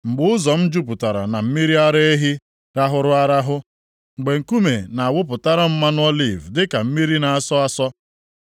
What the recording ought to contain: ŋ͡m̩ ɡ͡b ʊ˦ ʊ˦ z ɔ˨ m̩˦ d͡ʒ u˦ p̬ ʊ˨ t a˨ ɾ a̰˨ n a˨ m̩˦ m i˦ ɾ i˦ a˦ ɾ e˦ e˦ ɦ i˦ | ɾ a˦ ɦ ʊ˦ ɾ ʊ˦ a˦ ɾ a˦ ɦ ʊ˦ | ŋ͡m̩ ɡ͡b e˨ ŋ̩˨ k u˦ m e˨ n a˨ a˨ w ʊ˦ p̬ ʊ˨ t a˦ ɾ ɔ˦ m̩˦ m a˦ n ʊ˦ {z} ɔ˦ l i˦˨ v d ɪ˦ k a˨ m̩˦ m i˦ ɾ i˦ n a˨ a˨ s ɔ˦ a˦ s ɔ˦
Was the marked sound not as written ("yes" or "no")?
yes